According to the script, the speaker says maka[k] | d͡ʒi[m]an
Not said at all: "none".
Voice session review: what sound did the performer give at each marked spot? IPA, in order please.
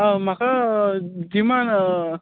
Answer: none, m

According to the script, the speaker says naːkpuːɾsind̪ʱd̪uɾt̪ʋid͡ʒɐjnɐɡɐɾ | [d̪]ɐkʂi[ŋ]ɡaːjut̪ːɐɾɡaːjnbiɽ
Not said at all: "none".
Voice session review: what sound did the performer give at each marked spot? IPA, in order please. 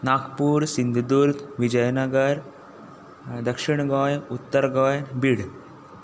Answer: d̪, ɳ

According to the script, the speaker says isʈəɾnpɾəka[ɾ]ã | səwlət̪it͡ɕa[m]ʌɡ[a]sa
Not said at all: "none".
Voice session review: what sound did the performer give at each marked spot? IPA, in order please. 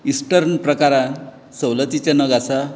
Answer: ɾ, n, a

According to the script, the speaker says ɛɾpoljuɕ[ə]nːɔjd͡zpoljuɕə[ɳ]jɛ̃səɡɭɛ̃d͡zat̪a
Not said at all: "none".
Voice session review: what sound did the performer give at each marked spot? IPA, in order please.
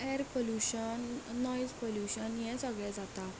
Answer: ə, n

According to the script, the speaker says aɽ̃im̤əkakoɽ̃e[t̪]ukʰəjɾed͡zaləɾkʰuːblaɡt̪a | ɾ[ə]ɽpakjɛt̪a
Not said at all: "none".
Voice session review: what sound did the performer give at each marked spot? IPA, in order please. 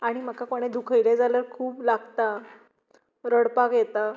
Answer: d̪, ə

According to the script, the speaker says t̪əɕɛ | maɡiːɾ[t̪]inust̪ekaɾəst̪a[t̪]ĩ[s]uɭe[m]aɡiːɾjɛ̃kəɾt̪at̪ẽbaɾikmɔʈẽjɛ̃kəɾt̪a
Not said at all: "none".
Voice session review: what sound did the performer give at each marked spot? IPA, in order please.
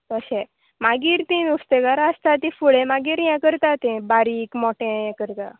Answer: t̪, t̪, f, m

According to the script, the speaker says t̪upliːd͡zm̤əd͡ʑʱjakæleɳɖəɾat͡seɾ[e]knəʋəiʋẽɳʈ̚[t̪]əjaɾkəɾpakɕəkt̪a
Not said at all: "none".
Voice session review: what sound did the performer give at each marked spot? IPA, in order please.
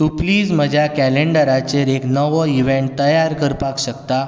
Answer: e, t̪

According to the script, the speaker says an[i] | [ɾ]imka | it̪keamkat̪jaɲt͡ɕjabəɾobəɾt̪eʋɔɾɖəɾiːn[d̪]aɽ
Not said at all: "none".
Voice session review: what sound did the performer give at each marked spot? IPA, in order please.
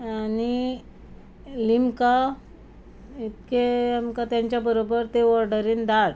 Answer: i, l, d̪

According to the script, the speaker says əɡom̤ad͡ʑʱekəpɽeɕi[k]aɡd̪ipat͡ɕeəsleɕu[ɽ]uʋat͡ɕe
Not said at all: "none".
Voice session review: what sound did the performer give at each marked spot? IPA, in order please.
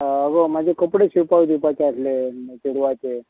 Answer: p, ɽ

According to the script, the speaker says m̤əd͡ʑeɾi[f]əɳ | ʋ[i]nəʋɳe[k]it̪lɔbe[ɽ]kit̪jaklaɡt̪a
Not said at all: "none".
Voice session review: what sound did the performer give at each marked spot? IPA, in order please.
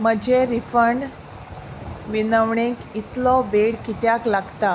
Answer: f, i, k, ɽ

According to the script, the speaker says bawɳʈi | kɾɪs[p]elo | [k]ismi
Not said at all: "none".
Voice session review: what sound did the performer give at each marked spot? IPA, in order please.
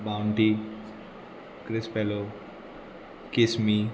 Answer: p, k

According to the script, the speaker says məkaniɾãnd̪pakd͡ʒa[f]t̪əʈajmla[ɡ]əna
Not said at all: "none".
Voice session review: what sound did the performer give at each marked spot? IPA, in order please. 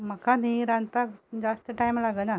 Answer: s, ɡ

